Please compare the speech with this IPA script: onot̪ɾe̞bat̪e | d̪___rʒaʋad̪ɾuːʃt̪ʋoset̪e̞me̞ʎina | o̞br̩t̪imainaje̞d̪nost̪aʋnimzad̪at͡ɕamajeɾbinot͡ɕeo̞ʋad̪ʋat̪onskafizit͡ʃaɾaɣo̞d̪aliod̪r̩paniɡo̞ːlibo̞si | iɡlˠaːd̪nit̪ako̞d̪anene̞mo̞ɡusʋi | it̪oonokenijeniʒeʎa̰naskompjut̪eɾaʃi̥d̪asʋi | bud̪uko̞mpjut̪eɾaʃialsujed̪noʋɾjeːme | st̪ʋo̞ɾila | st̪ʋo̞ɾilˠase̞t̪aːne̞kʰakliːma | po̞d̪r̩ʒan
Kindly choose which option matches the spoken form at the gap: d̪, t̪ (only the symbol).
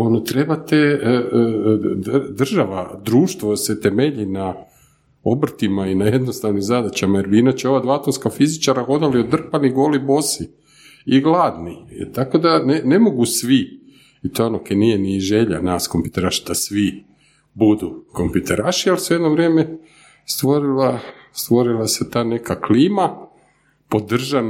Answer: d̪